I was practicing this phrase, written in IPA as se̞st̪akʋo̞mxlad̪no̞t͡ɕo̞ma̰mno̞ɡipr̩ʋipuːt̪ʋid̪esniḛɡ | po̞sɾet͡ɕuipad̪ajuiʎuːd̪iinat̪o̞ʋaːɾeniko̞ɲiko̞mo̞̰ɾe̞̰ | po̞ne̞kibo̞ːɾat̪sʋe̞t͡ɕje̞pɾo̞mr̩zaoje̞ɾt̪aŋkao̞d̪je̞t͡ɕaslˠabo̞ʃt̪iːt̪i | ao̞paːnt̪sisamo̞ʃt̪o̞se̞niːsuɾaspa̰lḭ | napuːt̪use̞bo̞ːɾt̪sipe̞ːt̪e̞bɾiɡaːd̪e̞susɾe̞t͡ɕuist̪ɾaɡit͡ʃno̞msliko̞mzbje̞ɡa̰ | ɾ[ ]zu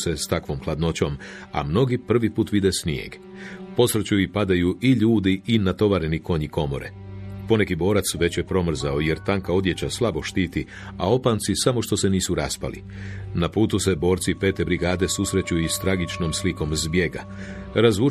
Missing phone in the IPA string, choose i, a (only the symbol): a